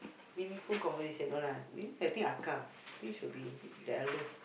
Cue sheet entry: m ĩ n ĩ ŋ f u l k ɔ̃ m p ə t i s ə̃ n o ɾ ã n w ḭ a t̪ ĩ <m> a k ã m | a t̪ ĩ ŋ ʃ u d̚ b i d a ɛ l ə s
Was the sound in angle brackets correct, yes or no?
no